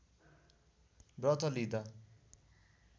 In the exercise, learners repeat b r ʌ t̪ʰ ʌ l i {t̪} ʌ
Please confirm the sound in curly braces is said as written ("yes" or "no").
no